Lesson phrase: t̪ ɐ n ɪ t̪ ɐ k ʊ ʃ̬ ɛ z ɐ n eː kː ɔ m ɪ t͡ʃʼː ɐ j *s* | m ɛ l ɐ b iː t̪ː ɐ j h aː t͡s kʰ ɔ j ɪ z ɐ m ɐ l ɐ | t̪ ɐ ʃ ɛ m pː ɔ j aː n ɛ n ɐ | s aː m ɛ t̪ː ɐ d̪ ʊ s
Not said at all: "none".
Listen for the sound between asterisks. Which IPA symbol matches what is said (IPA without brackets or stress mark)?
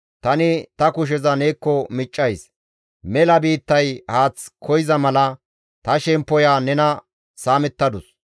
s